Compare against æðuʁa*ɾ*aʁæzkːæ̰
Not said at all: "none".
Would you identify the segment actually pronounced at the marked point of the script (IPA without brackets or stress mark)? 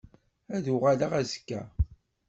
l